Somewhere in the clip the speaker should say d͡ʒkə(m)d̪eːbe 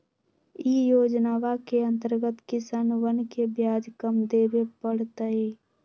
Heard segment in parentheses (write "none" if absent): m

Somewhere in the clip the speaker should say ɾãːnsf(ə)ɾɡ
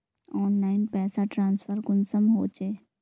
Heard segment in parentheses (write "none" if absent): ə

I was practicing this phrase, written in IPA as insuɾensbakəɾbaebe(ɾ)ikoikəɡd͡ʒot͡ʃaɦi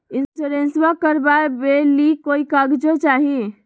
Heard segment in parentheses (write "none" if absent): l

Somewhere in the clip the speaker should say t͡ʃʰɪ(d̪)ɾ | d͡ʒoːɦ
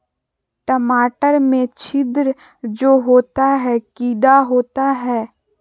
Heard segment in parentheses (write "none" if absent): d̪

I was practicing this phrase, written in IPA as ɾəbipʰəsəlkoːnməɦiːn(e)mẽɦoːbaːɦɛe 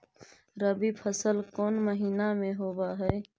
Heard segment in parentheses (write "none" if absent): a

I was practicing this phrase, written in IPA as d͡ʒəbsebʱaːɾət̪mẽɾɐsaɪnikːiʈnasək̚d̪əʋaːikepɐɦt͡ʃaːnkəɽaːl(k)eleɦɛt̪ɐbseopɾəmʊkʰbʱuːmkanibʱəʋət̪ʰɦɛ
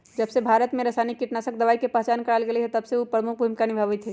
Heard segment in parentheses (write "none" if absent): ɡ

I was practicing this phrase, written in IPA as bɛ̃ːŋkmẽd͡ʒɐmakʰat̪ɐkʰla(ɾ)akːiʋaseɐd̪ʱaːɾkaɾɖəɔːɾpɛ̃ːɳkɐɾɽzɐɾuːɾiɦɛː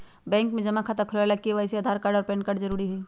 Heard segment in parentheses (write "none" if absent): l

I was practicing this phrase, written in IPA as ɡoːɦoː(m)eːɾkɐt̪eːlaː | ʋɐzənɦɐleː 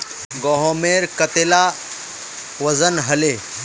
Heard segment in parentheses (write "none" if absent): m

